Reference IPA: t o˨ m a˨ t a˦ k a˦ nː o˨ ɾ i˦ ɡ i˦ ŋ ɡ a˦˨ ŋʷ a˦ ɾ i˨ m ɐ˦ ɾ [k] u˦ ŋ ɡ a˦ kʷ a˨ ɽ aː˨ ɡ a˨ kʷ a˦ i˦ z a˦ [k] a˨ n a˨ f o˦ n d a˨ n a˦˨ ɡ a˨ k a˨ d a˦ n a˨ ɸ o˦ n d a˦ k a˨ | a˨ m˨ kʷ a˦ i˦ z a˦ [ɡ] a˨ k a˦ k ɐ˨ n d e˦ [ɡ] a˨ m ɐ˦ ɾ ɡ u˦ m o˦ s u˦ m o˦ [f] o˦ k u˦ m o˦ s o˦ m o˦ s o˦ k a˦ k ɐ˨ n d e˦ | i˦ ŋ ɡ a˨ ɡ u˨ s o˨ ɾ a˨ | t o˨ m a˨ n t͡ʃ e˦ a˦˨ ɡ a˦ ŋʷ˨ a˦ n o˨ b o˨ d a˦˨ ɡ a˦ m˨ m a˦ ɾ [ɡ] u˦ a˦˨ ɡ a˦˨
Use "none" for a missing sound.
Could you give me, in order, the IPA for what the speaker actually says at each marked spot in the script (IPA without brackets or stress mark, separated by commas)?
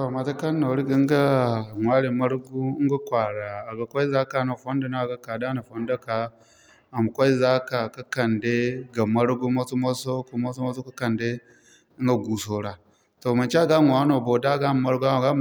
ɡ, k, k, ɡ, s, ɡ